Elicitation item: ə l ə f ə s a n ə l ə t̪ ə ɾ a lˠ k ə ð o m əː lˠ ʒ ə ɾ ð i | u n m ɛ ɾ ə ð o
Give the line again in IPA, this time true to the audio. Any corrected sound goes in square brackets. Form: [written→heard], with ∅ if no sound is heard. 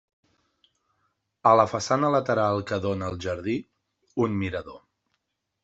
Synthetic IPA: ə l ə f ə s a n ə l ə t̪ ə ɾ a lˠ k ə ð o [m→n] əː lˠ ʒ ə ɾ ð i | u n m [ɛ→i] ɾ ə ð o